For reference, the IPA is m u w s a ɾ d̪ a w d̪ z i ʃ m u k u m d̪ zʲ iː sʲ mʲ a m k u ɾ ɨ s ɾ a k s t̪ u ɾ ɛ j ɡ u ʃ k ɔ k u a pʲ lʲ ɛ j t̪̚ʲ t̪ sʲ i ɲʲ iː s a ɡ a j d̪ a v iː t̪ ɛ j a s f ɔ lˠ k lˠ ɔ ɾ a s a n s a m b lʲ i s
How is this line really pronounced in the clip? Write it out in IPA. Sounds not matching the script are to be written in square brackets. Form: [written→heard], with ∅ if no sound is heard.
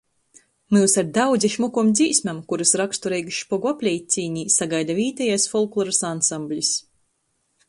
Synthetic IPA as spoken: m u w s a ɾ d̪ a w d̪ z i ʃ m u k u m d̪ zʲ iː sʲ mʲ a m k u ɾ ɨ s ɾ a k s t̪ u ɾ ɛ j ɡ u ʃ [k→p] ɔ [k→ɡ] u a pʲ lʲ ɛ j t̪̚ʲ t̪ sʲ [i→iː] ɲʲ iː s a ɡ a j d̪ a v iː t̪ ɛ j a s f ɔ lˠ k lˠ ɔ ɾ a s a n s a m b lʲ i s